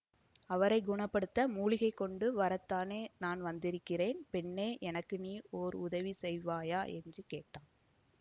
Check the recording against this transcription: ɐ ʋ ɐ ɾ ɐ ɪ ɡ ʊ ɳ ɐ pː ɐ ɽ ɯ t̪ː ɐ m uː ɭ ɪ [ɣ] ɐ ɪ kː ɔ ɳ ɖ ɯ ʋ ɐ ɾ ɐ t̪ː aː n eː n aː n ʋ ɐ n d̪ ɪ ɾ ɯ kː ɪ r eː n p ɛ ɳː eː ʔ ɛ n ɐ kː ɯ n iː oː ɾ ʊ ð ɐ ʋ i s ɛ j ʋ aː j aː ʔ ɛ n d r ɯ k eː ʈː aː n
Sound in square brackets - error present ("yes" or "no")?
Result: no